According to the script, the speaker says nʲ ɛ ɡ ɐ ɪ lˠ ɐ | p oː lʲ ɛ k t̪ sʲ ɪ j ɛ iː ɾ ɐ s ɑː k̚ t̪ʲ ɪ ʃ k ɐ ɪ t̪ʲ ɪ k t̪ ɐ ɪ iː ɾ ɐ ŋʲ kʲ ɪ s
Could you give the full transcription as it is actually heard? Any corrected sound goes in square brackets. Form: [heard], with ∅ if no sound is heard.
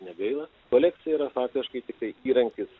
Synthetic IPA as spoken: nʲ ɛ ɡ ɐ ɪ lˠ ɐ | [k] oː lʲ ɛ k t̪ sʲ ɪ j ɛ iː ɾ ɐ [f] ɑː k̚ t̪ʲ ɪ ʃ k ɐ ɪ t̪ʲ ɪ k t̪ ɐ ɪ iː ɾ ɐ ŋʲ kʲ ɪ s